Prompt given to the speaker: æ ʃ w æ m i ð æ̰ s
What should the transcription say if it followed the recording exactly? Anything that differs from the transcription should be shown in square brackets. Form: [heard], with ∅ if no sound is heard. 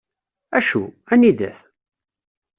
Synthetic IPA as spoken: æ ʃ [u] æ [n] i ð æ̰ [θ]